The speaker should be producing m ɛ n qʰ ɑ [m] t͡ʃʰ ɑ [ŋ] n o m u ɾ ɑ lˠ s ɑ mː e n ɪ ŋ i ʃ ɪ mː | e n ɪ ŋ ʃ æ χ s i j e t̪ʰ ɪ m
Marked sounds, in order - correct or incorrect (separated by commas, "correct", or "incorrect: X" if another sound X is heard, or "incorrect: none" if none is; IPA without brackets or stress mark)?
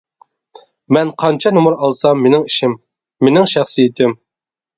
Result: incorrect: n, incorrect: none